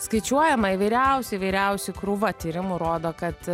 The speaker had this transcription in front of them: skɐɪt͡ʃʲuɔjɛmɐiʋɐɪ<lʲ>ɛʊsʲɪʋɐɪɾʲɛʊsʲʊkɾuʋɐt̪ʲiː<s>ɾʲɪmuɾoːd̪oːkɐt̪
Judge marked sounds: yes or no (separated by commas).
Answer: no, no